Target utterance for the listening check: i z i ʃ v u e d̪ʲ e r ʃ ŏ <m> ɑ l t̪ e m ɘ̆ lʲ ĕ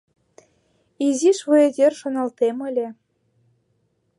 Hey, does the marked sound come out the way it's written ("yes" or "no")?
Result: no